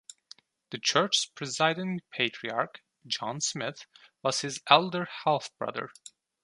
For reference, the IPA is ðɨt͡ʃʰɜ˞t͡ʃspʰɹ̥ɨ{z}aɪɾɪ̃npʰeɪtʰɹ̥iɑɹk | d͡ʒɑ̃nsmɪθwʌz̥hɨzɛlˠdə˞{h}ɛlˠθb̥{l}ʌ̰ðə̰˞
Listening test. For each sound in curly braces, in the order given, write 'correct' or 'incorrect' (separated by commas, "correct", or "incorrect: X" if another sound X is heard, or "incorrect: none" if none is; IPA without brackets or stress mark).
correct, correct, incorrect: ɹ